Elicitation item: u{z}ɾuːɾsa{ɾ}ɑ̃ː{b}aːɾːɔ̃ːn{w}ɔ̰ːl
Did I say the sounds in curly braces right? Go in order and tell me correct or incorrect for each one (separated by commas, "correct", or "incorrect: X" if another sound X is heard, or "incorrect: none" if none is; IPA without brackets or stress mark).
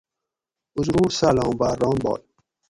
correct, incorrect: l, correct, incorrect: b